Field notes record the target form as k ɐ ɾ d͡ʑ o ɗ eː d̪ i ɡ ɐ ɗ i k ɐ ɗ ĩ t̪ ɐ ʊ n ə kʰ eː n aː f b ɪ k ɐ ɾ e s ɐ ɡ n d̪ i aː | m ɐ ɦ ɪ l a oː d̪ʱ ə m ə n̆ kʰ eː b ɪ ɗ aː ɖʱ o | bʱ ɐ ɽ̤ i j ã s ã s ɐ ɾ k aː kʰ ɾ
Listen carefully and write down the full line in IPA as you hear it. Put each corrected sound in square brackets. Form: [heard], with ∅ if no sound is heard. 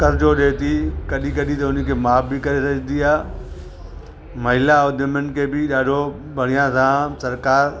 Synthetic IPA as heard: k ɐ ɾ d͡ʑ o ɗ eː [t̪] i [k] ɐ ɗ i k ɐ ɗ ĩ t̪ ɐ ʊ n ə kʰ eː [m] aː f b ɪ k ɐ ɾ e s ɐ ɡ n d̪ i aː | m ɐ ɦ ɪ l a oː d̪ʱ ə m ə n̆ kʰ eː b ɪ ɗ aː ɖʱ o | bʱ ɐ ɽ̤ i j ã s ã s ɐ ɾ k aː [∅] ɾ